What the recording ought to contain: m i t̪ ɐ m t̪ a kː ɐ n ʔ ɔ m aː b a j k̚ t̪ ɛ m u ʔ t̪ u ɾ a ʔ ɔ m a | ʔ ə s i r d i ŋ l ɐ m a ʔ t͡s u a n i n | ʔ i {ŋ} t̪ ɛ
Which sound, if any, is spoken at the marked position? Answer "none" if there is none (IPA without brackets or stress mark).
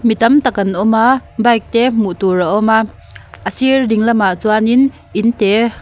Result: n